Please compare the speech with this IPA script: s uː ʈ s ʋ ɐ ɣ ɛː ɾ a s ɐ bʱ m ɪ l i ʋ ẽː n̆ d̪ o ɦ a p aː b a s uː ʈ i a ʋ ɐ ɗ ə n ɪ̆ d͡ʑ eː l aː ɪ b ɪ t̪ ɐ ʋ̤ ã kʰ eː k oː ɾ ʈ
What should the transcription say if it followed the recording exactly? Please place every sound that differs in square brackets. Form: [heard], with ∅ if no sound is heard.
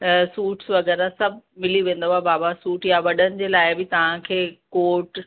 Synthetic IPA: s uː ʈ s ʋ ɐ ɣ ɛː ɾ a s ɐ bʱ m ɪ l i ʋ ẽː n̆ d̪ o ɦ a [b] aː b a s uː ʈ [j] a ʋ ɐ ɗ ə n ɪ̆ d͡ʑ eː l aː ɪ b ɪ t̪ ɐ ʋ̤ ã kʰ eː k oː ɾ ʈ